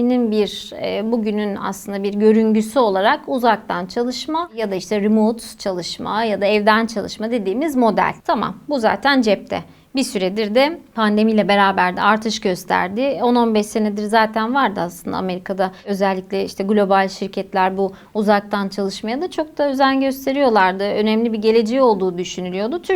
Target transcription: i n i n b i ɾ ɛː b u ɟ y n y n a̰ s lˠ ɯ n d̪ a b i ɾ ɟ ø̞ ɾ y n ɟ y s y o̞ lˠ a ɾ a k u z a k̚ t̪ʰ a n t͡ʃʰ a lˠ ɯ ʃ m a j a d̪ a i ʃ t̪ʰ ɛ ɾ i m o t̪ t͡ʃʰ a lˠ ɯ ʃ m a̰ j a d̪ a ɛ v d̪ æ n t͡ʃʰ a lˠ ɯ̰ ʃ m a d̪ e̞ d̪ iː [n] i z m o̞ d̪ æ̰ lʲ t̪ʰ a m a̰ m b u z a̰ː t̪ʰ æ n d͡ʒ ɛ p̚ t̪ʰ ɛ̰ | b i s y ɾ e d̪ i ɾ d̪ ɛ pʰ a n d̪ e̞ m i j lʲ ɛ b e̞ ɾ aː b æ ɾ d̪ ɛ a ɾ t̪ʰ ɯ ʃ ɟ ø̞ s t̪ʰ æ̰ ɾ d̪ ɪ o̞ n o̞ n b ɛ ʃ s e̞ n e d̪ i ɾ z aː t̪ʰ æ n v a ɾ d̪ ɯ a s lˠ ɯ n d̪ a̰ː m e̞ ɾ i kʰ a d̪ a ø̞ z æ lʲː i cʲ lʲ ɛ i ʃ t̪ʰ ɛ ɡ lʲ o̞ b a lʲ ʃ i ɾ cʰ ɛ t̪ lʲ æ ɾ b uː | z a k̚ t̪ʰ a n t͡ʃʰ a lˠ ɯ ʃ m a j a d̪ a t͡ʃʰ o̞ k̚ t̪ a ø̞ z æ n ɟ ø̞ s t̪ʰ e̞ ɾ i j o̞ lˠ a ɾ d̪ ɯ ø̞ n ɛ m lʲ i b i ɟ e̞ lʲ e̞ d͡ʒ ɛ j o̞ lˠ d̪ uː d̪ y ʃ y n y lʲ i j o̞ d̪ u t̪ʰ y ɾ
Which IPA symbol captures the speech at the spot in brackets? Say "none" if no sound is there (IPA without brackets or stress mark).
m